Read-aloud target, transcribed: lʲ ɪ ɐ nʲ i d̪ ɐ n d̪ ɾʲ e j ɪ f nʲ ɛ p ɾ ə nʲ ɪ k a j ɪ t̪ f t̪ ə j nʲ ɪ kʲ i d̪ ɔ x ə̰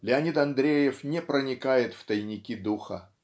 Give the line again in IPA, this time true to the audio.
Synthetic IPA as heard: lʲ ɪ ɐ nʲ i t̪ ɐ n d̪ ɾʲ e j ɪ f nʲ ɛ p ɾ ə nʲ ɪ k a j ɪ t̪ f t̪ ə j nʲ ɪ kʲ i d̪ u x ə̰